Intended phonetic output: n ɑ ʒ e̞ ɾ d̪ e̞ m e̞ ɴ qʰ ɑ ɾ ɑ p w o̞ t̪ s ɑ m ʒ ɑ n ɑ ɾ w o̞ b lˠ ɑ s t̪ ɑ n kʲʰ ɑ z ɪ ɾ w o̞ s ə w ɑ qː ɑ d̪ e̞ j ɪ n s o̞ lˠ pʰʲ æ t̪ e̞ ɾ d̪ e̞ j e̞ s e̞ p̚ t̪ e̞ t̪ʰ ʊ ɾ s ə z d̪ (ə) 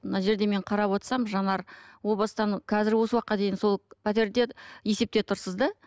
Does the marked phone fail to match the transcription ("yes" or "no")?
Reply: yes